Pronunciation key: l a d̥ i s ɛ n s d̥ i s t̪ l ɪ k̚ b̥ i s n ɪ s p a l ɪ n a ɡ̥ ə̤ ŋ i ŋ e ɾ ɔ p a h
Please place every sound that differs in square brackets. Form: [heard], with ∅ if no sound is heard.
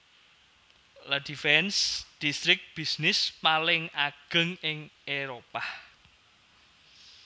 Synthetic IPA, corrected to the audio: l a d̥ i [f] ɛ n s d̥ i s t̪ [ɾ] ɪ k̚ b̥ i s n ɪ s p a l ɪ [ŋ] a ɡ̥ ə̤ ŋ [ɪ] ŋ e ɾ [o] p a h